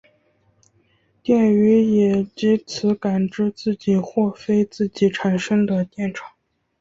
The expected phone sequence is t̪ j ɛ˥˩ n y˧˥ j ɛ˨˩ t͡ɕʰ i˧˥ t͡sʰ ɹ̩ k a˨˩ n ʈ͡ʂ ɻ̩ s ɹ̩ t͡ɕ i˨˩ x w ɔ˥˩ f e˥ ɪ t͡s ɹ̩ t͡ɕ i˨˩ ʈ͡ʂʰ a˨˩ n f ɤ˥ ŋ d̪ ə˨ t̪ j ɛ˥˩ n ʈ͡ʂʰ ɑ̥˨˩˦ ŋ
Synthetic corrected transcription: t̪ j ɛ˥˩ n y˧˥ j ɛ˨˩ t͡ɕ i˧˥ t͡sʰ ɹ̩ k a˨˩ n ʈ͡ʂ ɻ̩ t͡s ɹ̩ t͡ɕ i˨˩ x w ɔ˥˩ f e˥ ɪ t͡s ɹ̩ t͡ɕ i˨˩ ʈ͡ʂʰ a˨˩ n ʂ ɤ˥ ŋ d̪ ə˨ t̪ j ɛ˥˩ n ʈ͡ʂʰ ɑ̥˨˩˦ ŋ